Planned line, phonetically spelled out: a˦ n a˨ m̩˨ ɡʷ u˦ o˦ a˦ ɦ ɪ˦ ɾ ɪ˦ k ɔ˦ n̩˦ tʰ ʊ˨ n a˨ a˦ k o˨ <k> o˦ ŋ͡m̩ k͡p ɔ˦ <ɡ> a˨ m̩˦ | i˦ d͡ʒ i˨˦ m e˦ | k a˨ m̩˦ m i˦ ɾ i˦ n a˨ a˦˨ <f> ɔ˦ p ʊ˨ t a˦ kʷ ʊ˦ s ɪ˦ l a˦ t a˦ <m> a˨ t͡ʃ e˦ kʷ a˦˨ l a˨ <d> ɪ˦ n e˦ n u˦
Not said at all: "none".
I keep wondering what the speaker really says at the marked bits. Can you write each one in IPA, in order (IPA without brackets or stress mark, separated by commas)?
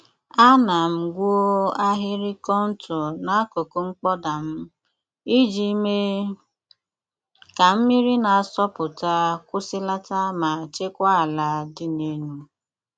k, d, s, m, d